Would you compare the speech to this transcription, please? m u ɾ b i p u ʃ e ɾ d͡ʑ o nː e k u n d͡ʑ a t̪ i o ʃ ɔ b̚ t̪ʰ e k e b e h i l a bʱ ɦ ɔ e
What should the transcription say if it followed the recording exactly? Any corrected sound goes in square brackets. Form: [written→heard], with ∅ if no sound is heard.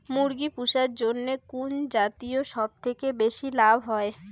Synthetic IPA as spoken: m u ɾ [b→ɡ] i p u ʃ [e→a] ɾ d͡ʑ o nː e k u n d͡ʑ a t̪ i o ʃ ɔ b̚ t̪ʰ e k e b e [h→ʃ] i l a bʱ ɦ ɔ e

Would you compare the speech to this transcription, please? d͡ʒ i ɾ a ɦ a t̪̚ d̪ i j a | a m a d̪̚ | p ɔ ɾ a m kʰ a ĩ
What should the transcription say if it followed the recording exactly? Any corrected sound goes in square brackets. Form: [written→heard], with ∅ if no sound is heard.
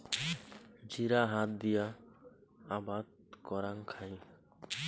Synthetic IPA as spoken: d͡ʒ i ɾ a ɦ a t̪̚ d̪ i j a | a [m→b] a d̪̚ | [p→k] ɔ ɾ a [m→ŋ] kʰ a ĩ

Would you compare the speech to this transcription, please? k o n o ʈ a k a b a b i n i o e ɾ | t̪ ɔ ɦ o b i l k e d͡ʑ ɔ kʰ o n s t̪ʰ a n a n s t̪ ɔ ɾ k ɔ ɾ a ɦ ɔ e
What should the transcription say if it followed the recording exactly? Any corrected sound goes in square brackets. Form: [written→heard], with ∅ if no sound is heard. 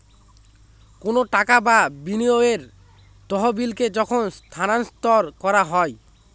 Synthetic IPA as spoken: k o n o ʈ a k a b a b i n i o e ɾ | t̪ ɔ ɦ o b i l k e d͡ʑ ɔ kʰ o n s t̪ʰ a n a n s t̪ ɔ ɾ k ɔ ɾ a ɦ ɔ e

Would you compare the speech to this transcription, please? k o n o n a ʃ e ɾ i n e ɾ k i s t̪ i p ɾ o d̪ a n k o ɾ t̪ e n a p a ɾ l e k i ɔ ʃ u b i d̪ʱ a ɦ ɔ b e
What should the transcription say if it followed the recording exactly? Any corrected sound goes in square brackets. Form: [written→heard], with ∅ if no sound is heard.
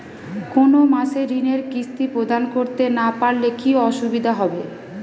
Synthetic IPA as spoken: k o n o [n→m] a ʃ e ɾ i n e ɾ k i s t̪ i p ɾ o d̪ a n k o ɾ t̪ e n a p a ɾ l e k i ɔ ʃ u b i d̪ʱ a ɦ ɔ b e

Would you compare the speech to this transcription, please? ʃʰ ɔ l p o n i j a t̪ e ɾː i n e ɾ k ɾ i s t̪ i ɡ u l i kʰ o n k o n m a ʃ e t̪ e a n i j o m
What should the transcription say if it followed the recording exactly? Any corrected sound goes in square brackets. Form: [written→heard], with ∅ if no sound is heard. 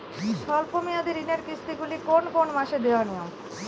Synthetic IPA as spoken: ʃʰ ɔ l p o [n→m] i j a [t̪→d̪] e [ɾː→ɾ] i n e ɾ k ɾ i s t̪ i ɡ u l i [kʰ→k] o n k o n m a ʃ e [t̪→d̪] e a n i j o m

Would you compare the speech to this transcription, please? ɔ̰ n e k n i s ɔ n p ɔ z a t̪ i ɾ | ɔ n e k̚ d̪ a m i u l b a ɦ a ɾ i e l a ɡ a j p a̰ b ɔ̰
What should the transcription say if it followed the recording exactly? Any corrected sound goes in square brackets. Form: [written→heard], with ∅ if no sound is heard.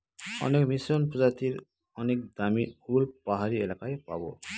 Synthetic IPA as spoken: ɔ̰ n e k [n→m] i s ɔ n p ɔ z a t̪ i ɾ | ɔ n e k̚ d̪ a m i u l [b→p] a ɦ a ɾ i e l a [ɡ→k] a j p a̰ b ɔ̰

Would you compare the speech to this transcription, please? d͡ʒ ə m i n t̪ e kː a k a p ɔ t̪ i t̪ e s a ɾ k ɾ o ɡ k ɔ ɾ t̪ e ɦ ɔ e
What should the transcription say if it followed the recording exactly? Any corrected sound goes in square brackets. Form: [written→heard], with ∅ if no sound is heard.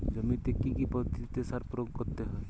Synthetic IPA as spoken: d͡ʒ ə m i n t̪ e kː [a→i] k [a→i] p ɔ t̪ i t̪ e s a ɾ [k→p] ɾ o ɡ k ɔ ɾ t̪ e ɦ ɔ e

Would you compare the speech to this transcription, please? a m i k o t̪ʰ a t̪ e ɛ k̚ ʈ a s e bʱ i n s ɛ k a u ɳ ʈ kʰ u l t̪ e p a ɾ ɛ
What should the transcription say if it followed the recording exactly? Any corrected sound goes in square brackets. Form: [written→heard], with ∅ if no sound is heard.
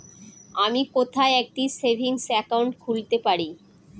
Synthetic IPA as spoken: a m i k o t̪ʰ a [t̪→∅] e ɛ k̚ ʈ [a→i] s e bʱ i [n→ŋ] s ɛ k a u ɳ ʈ kʰ u l t̪ e p a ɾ [ɛ→i]

